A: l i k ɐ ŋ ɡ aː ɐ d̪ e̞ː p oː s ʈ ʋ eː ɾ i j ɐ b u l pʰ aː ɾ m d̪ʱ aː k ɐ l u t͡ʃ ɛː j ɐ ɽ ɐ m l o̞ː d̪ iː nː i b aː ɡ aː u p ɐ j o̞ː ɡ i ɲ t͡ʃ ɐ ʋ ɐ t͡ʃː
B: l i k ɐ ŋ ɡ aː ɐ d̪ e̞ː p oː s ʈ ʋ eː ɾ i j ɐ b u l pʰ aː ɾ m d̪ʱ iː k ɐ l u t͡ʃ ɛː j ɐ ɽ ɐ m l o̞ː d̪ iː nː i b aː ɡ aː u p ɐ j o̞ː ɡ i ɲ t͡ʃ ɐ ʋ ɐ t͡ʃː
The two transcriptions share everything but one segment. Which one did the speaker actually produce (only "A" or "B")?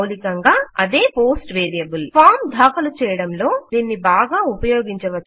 A